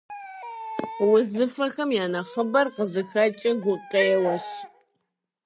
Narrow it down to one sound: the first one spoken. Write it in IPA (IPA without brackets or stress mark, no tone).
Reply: w